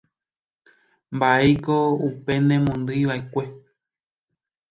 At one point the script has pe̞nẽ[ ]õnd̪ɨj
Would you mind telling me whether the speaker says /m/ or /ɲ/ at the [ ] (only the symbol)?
m